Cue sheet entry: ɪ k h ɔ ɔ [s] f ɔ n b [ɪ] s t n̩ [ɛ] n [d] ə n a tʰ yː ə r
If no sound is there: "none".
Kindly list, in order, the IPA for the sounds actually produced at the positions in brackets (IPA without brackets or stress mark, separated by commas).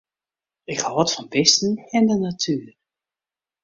t, ɪ, ɛ, d